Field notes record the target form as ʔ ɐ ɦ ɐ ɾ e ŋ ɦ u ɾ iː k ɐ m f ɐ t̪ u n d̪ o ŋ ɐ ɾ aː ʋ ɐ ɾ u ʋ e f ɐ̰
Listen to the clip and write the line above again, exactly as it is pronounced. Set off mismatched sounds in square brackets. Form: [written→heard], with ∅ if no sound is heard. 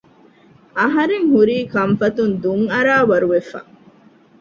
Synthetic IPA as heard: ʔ ɐ ɦ ɐ ɾ e ŋ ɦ u ɾ iː k ɐ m f ɐ t̪ u n d̪ [o→u] ŋ ɐ ɾ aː ʋ ɐ ɾ u ʋ e f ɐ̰